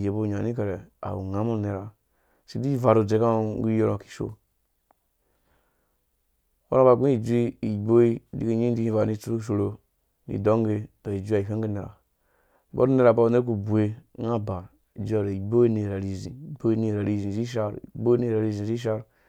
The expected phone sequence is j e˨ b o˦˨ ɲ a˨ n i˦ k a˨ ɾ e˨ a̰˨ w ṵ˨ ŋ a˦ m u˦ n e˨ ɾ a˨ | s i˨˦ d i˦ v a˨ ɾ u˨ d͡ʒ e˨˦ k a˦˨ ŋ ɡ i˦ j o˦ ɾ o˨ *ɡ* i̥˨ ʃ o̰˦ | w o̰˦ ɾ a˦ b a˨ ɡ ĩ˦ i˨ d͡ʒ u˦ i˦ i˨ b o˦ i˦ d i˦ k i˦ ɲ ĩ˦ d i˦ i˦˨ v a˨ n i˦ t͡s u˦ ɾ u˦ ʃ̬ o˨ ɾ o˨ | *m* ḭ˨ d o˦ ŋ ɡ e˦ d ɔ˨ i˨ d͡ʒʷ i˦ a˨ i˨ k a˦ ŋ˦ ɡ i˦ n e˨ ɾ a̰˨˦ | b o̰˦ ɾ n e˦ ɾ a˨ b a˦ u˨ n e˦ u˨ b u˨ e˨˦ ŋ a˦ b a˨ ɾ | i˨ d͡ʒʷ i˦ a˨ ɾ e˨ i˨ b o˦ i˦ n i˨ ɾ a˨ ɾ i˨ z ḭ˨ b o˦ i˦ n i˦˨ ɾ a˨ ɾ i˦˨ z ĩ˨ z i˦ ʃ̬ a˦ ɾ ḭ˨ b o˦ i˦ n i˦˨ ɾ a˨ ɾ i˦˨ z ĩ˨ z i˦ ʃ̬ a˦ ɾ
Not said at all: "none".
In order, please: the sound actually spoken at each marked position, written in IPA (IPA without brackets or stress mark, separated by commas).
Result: k, n